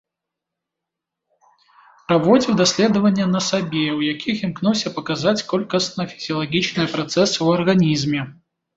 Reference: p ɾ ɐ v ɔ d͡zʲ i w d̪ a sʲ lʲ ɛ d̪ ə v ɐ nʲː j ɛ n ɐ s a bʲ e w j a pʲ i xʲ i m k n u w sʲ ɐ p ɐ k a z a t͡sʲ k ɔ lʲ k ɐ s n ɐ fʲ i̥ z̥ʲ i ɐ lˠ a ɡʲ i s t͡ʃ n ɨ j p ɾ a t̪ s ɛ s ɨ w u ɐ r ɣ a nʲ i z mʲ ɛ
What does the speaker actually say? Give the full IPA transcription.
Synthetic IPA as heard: p ɾ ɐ v ɔ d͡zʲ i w d̪ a sʲ lʲ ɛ d̪ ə v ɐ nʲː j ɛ n ɐ s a bʲ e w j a kʲ i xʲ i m k n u w sʲ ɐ p ɐ k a z a t͡sʲ k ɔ lʲ k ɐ s n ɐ fʲ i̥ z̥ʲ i ɐ lˠ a ɡʲ i t͡ʃ n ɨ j p ɾ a t̪ s ɛ s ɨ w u ɐ r ɣ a nʲ i z mʲ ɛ